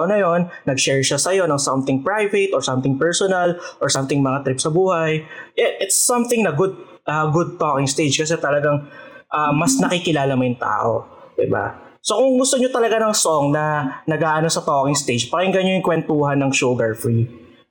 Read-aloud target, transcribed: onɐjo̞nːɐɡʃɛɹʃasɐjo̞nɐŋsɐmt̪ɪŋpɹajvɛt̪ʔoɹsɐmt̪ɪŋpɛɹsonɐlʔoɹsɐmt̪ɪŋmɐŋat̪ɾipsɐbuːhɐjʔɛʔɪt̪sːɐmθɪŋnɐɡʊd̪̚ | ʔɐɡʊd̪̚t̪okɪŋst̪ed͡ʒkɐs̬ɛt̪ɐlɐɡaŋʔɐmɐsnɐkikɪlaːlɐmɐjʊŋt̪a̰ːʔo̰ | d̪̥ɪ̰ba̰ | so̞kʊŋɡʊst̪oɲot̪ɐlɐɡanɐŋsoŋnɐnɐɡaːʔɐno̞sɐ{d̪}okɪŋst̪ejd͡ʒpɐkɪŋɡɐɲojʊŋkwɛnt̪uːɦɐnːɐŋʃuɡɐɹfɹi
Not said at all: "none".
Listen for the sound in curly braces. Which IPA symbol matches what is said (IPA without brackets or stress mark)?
t̪